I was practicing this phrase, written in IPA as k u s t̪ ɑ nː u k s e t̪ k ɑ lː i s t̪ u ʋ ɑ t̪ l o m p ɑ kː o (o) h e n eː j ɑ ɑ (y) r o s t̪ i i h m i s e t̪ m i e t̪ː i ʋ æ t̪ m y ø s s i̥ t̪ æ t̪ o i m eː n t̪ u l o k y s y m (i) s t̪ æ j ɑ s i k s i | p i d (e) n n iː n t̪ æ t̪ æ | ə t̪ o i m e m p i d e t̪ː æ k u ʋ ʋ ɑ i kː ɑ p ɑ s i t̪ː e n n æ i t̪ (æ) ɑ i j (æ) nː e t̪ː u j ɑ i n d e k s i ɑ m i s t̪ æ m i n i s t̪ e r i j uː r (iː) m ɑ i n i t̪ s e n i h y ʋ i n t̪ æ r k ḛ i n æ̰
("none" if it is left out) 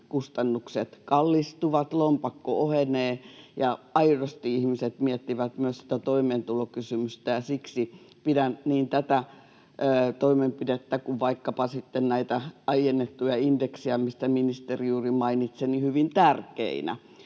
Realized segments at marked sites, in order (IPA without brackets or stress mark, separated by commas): o, i, y, æ, æ, e, i